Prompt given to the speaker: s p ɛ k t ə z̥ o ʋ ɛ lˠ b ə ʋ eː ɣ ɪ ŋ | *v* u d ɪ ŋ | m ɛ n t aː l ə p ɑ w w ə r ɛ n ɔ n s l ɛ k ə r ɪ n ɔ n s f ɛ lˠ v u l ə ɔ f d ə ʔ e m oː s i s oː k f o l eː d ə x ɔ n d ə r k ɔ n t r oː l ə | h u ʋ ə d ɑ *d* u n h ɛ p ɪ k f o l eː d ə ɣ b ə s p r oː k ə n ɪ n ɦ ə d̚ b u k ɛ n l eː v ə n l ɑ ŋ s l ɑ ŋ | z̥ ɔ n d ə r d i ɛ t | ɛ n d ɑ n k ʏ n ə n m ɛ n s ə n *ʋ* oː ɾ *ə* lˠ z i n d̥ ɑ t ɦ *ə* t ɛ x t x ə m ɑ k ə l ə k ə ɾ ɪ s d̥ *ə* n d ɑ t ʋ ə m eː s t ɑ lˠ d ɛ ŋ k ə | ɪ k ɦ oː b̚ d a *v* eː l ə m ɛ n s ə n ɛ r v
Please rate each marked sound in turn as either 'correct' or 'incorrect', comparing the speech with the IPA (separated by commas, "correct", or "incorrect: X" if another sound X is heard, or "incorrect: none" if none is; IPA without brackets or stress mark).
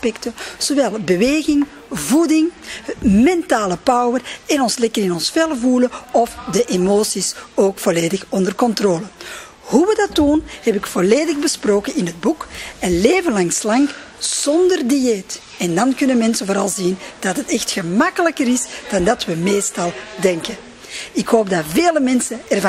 correct, incorrect: t, incorrect: v, incorrect: ɑ, correct, incorrect: ɑ, correct